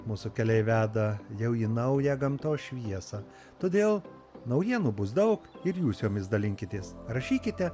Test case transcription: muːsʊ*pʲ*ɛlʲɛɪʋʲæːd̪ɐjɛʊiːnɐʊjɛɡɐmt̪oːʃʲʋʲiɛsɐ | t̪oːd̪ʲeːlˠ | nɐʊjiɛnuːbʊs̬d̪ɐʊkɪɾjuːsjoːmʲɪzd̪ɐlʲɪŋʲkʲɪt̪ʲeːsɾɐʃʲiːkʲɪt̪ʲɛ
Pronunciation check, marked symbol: incorrect: kʲ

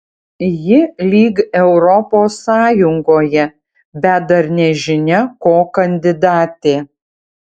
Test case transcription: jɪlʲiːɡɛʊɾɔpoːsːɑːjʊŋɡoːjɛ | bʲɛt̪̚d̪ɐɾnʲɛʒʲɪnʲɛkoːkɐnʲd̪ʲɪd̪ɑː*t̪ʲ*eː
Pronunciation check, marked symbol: correct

